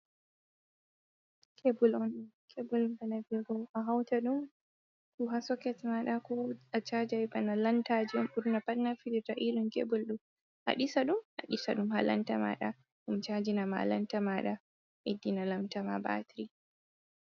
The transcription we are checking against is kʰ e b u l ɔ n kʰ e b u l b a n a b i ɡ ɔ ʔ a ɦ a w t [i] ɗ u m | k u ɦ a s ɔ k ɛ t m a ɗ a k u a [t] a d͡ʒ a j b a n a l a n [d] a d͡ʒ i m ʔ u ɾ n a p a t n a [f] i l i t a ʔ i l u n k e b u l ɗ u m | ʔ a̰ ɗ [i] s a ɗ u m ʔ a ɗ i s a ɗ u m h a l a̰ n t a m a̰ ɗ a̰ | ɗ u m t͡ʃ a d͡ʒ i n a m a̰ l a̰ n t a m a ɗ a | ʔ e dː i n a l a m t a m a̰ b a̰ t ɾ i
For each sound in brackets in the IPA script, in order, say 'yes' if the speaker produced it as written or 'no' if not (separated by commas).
no, no, no, yes, yes